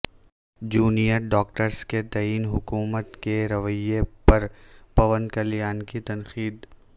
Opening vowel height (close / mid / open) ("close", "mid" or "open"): close